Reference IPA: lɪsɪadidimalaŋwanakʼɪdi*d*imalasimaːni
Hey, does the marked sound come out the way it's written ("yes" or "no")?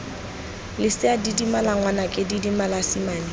yes